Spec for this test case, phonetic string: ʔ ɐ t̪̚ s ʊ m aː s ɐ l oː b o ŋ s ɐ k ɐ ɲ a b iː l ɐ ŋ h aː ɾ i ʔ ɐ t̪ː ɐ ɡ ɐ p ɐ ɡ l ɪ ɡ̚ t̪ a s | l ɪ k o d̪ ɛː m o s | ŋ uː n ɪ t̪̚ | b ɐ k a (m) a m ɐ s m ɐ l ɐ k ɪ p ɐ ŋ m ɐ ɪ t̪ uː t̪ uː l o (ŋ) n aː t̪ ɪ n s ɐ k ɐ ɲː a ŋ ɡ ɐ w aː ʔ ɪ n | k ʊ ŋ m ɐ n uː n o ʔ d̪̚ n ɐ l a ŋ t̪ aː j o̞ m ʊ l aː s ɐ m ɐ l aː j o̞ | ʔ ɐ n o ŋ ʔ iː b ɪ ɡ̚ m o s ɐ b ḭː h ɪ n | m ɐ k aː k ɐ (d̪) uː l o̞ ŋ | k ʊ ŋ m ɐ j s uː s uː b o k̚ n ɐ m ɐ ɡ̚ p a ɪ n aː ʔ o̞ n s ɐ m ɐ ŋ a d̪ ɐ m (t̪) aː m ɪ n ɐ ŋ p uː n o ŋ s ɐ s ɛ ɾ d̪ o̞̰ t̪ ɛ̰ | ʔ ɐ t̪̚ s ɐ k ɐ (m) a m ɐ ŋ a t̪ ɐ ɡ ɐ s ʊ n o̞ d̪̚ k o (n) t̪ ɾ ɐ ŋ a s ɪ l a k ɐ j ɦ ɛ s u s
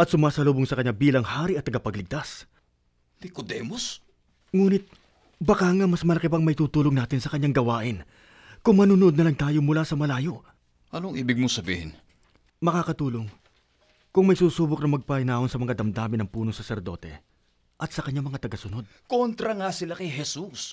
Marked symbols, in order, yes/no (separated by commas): no, yes, no, no, no, yes